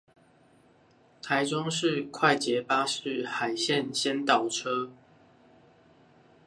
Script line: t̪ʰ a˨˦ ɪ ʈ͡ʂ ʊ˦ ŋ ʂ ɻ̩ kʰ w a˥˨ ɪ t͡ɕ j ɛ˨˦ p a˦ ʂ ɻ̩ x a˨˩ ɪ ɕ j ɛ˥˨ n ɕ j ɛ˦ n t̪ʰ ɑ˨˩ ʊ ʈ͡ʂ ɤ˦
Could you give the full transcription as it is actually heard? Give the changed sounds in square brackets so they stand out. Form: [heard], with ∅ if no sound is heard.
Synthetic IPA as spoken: t̪ʰ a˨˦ ɪ ʈ͡ʂ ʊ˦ ŋ ʂ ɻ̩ kʰ w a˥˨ ɪ t͡ɕ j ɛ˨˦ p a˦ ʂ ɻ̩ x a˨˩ ɪ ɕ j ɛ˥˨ n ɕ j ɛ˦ n [t̪] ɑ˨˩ ʊ [ʈ͡ʂʰ] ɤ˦